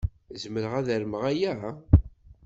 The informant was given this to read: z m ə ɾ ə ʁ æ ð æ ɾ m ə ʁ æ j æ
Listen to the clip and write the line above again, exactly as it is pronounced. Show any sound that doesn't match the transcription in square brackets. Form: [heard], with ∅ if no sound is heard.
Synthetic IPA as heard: z m ə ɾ ə ʁ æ ð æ ɾ m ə ʁ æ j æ